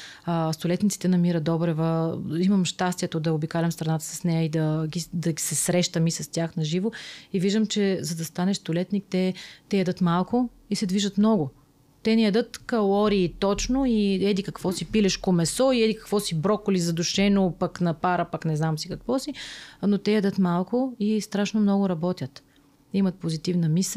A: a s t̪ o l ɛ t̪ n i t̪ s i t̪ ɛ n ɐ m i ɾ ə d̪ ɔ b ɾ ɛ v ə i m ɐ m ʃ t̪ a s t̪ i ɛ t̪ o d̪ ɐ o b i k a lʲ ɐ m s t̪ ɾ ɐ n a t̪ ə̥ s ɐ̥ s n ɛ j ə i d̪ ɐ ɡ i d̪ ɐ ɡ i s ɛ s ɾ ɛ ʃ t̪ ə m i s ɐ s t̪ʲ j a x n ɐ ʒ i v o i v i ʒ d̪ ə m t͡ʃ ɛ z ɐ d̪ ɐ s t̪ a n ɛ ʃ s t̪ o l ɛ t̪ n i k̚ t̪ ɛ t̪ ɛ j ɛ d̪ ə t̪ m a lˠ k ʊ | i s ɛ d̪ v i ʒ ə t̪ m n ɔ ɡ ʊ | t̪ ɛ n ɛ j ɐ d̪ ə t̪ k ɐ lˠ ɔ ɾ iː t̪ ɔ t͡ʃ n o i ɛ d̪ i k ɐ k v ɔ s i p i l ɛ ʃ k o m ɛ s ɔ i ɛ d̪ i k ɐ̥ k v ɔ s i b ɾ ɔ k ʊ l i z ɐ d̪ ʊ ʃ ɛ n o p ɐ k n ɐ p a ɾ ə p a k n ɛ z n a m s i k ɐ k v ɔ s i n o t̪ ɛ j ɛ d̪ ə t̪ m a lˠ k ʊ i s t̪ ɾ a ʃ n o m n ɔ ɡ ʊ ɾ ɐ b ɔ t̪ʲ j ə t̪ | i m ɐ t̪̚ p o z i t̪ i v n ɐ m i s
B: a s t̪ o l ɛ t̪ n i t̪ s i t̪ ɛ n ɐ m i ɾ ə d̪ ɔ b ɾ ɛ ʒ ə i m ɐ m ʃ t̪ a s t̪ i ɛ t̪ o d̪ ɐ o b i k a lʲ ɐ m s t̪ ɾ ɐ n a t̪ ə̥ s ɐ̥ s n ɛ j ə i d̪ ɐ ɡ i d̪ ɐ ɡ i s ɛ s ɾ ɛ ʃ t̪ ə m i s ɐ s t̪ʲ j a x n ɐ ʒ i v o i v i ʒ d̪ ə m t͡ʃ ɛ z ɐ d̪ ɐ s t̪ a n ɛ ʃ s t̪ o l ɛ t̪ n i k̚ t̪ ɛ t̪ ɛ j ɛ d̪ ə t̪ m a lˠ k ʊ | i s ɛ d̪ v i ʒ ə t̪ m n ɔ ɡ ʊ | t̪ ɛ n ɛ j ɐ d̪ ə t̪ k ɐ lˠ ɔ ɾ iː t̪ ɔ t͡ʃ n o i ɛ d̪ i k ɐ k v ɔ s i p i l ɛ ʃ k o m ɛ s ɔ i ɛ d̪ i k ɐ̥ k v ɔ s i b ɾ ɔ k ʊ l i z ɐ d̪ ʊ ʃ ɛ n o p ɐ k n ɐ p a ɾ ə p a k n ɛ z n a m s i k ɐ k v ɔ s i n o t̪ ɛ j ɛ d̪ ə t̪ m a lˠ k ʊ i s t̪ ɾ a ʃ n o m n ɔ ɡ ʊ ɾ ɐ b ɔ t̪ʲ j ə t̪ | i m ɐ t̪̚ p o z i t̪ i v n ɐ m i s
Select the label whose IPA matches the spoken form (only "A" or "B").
A